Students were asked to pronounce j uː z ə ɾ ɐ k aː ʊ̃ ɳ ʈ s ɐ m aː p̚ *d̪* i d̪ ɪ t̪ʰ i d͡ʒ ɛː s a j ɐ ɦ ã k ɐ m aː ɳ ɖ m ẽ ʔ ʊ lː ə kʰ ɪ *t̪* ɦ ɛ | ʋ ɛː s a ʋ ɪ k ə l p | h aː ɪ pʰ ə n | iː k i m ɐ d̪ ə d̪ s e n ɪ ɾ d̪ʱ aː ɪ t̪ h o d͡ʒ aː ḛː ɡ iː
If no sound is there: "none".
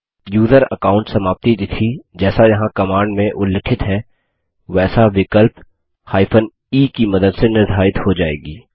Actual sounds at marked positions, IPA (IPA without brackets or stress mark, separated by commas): t̪, t̪